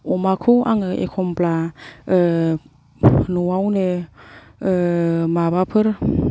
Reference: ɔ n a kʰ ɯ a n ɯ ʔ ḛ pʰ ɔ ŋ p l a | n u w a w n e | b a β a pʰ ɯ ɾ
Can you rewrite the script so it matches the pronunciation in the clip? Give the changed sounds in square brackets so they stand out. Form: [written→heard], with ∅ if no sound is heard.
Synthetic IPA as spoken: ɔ [n→m] a kʰ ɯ a [n→ŋ] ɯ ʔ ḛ [pʰ→kʰ] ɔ [ŋ→m] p l a | n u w a w n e | [b→m] a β a pʰ ɯ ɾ